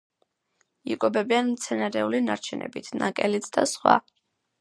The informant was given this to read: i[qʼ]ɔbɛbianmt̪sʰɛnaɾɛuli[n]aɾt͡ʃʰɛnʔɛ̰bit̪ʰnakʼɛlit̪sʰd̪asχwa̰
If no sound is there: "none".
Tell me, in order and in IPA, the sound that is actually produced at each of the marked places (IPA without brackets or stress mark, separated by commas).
kʼ, n